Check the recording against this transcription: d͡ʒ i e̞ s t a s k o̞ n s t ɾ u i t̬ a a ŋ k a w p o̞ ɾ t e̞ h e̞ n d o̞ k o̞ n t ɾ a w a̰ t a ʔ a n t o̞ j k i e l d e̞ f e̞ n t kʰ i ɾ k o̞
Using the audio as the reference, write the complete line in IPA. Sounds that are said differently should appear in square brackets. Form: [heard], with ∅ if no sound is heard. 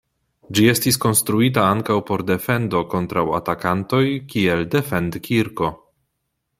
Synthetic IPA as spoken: d͡ʒ i e̞ s t [i] s k o̞ n s t ɾ u i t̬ a a ŋ k a w p o̞ ɾ [d] e̞ [f] e̞ n d o̞ k o̞ n t ɾ a w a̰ t a [k] a n t o̞ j k i e l d e̞ f e̞ n [d] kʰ i ɾ k o̞